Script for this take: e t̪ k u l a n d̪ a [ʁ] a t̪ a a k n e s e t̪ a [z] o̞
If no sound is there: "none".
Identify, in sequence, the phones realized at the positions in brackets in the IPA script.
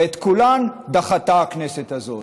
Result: χ, z

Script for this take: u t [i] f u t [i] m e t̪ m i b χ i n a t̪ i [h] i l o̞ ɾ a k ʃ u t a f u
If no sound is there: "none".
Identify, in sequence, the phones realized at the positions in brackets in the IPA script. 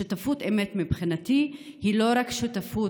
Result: a, e, h

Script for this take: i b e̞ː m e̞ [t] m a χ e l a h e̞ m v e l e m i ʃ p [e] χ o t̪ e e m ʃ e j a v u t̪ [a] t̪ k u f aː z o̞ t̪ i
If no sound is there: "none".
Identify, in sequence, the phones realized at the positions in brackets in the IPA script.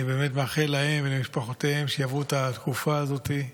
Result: t, a, a

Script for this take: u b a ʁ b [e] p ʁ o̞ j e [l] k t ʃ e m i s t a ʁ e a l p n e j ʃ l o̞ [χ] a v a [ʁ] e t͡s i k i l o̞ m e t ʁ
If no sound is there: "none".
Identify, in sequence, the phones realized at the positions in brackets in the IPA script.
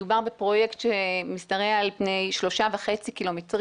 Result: e, none, ʃ, χ

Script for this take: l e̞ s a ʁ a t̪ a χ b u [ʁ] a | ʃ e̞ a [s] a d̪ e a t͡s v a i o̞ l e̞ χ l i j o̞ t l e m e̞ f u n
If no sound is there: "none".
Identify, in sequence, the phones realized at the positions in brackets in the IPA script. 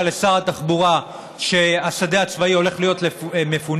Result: ʁ, s

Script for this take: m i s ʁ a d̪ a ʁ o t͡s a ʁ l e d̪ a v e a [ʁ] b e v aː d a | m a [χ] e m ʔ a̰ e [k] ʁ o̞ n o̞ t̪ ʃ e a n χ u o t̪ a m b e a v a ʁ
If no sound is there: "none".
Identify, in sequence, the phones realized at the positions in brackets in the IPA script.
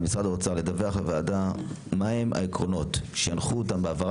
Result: χ, none, k

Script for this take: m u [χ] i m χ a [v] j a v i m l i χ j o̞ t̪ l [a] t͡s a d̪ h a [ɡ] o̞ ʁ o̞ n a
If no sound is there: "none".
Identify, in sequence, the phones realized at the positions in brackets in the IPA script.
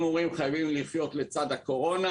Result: ʁ, none, e, k

